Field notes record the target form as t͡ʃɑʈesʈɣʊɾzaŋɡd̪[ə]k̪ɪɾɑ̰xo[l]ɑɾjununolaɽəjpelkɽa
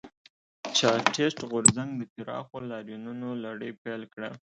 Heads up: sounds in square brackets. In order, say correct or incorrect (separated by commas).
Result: correct, correct